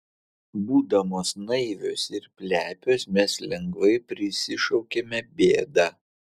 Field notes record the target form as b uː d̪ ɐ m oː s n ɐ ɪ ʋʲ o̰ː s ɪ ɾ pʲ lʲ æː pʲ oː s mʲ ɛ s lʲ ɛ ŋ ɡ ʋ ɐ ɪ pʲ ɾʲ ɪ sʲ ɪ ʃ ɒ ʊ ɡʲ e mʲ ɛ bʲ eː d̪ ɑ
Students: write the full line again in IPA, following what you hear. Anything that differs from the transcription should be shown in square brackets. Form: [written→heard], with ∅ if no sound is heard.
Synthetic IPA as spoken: b uː d̪ ɐ m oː s n ɐ ɪ ʋʲ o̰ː s ɪ ɾ pʲ lʲ æː pʲ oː s mʲ ɛ s lʲ ɛ ŋ ɡ ʋ ɐ ɪ pʲ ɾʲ ɪ sʲ ɪ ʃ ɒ ʊ [ɡʲ→kʲ] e mʲ ɛ bʲ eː d̪ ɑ